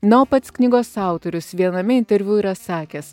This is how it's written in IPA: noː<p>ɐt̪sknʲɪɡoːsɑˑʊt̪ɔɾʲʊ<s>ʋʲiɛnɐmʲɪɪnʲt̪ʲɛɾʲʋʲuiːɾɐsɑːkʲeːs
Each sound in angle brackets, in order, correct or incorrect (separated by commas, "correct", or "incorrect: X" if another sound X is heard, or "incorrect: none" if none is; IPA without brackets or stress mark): correct, correct